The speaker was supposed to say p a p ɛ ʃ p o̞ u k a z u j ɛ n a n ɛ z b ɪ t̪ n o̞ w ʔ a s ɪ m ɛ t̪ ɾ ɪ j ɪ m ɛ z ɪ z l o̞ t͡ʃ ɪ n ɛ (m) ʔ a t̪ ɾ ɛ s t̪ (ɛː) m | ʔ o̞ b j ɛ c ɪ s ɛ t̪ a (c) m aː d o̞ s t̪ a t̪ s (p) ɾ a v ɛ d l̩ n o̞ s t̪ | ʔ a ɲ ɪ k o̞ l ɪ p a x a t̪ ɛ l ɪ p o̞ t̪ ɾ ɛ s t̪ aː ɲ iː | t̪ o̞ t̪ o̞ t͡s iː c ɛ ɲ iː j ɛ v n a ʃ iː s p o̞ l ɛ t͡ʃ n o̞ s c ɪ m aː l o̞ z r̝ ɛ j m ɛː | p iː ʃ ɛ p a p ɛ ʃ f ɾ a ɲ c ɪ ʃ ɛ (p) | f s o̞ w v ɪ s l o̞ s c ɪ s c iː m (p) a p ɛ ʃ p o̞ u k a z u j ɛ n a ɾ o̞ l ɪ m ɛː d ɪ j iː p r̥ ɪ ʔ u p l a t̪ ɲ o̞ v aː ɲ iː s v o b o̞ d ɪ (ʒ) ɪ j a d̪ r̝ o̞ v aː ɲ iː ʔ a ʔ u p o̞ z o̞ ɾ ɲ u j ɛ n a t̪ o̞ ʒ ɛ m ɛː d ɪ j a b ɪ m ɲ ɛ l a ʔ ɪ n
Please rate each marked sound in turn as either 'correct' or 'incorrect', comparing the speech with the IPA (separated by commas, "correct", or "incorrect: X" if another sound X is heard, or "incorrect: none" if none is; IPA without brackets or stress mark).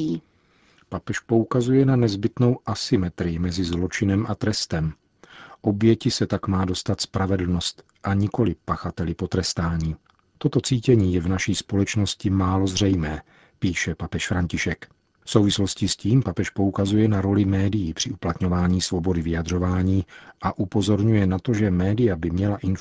correct, incorrect: ɛ, incorrect: k, correct, incorrect: k, correct, incorrect: v